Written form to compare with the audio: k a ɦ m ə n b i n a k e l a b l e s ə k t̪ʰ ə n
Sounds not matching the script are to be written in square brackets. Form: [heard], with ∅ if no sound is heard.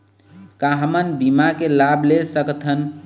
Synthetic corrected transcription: k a ɦ m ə n b i [m] a k e l a b l e s ə k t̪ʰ ə n